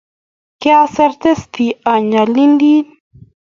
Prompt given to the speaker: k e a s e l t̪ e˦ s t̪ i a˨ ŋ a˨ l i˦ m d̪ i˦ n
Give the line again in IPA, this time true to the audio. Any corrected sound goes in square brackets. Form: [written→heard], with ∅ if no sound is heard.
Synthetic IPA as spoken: k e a s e [l→ɾ] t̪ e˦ s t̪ i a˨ [ŋ→ɲ] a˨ l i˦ [m→n] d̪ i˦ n